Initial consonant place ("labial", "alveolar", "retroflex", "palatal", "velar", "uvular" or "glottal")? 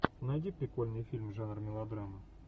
alveolar